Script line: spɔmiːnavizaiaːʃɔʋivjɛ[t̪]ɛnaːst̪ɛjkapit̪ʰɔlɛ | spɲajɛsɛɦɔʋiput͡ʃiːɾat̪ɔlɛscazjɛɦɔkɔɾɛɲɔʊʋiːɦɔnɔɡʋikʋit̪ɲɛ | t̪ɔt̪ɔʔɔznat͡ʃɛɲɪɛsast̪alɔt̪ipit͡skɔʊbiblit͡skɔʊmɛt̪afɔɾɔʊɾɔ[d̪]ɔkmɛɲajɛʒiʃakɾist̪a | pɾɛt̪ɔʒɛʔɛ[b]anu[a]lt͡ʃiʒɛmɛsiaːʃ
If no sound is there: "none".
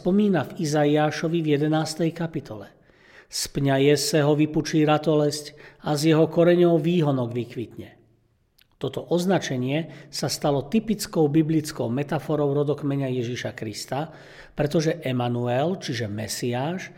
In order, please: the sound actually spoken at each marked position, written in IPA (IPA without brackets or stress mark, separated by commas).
d̪, d̪, m, ɛ